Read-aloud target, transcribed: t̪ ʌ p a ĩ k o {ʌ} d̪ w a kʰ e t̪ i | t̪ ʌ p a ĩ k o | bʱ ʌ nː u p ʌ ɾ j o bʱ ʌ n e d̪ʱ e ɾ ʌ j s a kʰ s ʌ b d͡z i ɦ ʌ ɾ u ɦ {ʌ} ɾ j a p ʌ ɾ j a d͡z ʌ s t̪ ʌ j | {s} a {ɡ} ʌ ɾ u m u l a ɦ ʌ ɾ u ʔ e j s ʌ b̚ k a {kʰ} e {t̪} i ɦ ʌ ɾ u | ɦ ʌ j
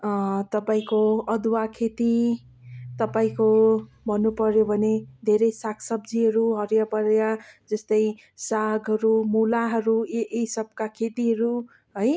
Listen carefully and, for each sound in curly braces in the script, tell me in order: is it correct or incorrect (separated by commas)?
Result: correct, correct, correct, correct, correct, correct